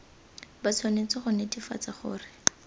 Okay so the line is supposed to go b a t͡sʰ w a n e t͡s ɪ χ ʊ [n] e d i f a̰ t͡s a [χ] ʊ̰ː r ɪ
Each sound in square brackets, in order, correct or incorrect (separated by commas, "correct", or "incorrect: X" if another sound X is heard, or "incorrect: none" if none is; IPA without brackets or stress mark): correct, correct